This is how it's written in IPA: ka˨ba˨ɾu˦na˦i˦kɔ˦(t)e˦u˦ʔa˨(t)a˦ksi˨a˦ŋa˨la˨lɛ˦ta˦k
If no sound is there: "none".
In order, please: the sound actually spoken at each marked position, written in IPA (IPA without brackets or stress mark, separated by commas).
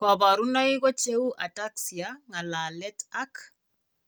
t͡ʃ, t